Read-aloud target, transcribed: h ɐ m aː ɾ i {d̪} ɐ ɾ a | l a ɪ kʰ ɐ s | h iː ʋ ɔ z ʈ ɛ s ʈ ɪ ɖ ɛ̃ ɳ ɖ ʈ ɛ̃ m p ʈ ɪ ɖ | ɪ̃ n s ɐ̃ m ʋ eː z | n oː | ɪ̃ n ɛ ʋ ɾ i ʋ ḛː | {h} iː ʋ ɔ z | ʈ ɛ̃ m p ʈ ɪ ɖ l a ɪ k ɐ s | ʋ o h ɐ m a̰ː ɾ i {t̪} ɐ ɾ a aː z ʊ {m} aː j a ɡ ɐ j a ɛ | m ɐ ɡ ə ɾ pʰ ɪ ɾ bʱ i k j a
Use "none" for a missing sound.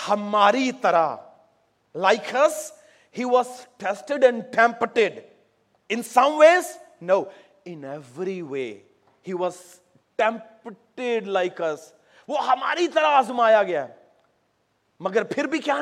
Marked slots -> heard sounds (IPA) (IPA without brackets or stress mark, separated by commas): t̪, h, t̪, m